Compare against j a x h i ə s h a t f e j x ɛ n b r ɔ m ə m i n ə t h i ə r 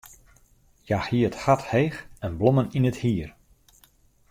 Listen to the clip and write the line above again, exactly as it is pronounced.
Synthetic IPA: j a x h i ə t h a t h e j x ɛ n b l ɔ m ə n i n ə t h i ə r